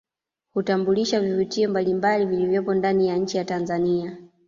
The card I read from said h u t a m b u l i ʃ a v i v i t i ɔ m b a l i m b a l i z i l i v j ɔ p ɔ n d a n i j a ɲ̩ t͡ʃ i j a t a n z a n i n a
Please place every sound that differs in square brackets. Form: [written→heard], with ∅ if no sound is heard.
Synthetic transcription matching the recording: h u t a m b u l i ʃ a v i v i t i ɔ m b a l i m b a l i [z→v] i l i v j ɔ p ɔ n d a n i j a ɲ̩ t͡ʃ i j a t a n z a n i [n→∅] a